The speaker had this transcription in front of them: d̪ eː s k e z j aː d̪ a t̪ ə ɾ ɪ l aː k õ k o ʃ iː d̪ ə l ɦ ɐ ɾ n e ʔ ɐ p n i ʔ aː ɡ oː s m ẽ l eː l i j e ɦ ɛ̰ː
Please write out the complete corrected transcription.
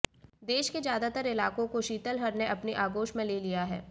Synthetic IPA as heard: d̪ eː ʃ k e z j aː d̪ a t̪ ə ɾ ɪ l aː k õ k o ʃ iː t̪ ə l ɦ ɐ ɾ n e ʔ ɐ p n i ʔ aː ɡ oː ʃ m ẽ l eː l i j a ɦ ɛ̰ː